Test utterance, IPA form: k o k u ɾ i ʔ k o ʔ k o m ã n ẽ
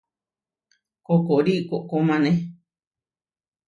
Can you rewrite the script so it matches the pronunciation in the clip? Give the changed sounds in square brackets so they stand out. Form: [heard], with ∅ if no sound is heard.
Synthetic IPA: k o k [o] ɾ i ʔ k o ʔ k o m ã n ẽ